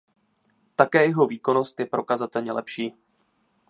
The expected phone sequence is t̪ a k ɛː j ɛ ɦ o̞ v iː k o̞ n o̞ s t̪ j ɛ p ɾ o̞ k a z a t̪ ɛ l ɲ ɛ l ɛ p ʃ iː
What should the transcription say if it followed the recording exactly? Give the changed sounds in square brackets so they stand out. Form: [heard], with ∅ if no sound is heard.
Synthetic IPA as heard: t̪ a k ɛː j ɛ ɦ o̞ v iː k o̞ n o̞ s t̪ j ɛ p ɾ o̞ k a z a t̪ ɛ l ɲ ɛ l ɛ p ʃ iː